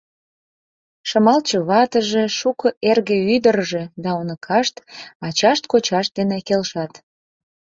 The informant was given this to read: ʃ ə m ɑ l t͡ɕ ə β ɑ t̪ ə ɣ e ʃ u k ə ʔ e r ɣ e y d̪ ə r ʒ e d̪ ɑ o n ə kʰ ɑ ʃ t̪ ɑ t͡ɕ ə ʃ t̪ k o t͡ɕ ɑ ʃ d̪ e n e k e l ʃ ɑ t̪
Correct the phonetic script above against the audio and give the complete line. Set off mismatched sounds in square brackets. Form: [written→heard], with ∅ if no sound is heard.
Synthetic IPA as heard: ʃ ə m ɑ l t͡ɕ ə β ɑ t̪ ə [ɣ→ʒ] e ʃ u k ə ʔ e r ɣ e y d̪ ə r ʒ e d̪ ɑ o n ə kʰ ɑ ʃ t̪ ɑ t͡ɕ [ə→ɑ] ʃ t̪ k o t͡ɕ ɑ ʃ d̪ e n e k e l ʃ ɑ t̪

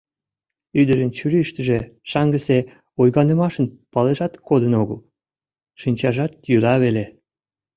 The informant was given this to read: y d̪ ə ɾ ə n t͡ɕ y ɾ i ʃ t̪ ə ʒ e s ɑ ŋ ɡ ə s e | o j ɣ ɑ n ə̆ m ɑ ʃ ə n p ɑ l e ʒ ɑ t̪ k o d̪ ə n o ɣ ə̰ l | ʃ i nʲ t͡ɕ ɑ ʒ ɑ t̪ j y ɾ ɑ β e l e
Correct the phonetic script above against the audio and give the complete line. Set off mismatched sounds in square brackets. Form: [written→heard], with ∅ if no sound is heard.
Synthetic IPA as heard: y d̪ ə ɾ ə n t͡ɕ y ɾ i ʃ t̪ ə ʒ e [s→ʃ] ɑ ŋ ɡ ə s e | o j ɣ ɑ n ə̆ m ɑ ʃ ə n p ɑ l e ʒ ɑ t̪ k o d̪ ə n o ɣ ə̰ l | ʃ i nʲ t͡ɕ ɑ ʒ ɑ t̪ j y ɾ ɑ β e l e

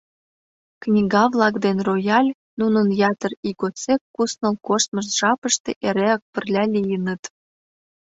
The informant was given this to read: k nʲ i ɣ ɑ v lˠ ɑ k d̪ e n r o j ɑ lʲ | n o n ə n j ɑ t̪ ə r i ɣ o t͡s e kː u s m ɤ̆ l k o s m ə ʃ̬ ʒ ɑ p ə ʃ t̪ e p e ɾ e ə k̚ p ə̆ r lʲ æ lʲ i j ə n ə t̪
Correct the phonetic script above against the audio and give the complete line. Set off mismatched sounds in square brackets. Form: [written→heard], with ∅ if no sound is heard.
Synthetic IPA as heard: k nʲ i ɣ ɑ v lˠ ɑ k d̪ e n r o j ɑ lʲ | n [o→u] n ə n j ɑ t̪ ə r i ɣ o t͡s e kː u s [m→n] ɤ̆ l k o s m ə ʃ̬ ʒ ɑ p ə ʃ t̪ e [p→ʔ] e ɾ e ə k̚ p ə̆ r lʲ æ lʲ i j ə n ə t̪

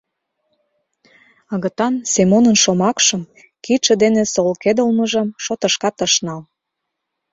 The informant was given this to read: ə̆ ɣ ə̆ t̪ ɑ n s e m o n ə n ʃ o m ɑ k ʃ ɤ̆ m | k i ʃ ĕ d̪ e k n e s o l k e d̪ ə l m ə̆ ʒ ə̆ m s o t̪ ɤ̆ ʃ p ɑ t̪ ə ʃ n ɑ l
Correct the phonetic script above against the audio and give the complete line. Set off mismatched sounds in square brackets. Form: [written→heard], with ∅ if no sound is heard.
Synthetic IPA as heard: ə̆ ɣ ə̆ t̪ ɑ n s e m o n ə n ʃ o m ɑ k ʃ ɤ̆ m | k i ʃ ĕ d̪ e [k→∅] n e s o l k e d̪ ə l m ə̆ ʒ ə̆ m [s→ʃ] o t̪ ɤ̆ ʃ [p→k] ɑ t̪ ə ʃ n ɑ l

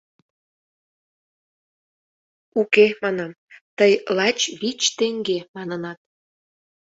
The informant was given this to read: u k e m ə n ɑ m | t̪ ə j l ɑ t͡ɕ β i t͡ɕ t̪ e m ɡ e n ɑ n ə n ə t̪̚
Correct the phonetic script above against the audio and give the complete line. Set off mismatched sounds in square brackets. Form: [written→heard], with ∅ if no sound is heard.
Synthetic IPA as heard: u k e m [ə→ɑ] n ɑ m | t̪ ə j l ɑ t͡ɕ β i t͡ɕ t̪ e [m→ŋ] ɡ e [n→m] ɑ n ə n [ə→ɑ] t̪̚

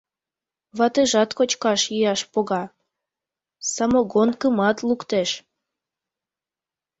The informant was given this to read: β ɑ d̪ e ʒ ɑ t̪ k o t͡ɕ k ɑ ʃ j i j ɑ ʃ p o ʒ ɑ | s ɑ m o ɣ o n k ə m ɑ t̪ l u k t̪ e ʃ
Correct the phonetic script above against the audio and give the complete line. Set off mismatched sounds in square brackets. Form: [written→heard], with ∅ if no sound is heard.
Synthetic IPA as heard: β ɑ [d̪→t̪] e ʒ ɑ t̪ k o t͡ɕ k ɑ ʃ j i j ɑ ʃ p o [ʒ→ɣ] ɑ | s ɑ m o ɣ o n k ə m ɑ t̪ l u k t̪ e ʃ

